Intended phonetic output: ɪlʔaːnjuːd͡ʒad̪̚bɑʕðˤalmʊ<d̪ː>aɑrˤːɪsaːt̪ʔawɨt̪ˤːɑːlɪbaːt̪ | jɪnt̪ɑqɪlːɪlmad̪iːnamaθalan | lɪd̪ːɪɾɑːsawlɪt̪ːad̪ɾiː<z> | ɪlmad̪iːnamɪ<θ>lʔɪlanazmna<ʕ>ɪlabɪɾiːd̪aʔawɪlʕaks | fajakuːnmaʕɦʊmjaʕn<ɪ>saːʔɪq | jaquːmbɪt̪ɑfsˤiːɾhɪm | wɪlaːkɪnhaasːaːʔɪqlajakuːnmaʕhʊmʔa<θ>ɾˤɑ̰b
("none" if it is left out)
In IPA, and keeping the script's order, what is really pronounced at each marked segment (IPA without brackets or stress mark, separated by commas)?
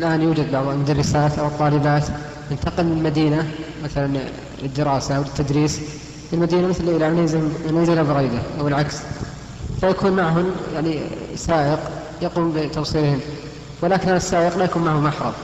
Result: d̪, s, θ, z, i, ħ